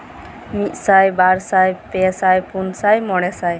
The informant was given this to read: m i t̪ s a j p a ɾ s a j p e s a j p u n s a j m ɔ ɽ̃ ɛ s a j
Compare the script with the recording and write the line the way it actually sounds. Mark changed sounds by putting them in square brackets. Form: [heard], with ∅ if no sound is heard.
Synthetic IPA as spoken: m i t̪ s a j [b] a ɾ s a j p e s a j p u n s a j m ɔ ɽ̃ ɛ s a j